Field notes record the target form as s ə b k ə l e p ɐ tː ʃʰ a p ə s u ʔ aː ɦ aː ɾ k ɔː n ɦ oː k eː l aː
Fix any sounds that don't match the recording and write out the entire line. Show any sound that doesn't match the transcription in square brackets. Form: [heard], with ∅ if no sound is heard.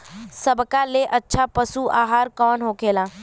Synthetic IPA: s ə b k [a] l e [ʔ] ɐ tː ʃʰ a p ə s u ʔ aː ɦ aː ɾ k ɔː n ɦ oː k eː l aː

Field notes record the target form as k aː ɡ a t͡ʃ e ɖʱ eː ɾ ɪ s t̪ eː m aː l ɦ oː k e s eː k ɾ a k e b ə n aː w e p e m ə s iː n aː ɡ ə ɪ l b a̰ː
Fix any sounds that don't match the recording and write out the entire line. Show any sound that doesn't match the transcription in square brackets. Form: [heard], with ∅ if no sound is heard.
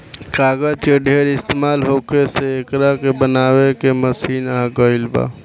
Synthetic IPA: k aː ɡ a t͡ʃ e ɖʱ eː ɾ ɪ s t̪ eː m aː l ɦ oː k e s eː k ɾ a k e b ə n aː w e [k] e m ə s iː n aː ɡ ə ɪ l b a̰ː

